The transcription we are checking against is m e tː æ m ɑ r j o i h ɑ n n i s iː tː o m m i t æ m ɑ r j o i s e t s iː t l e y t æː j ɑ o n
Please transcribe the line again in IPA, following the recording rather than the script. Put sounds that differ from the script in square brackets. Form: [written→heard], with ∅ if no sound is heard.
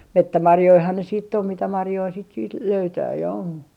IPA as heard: m e tː æ m ɑ r j o i h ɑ n n [i→e] s iː tː o m m i t æ m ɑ r j o i s [e→i] t s iː t l [e→ø] y t æː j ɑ o n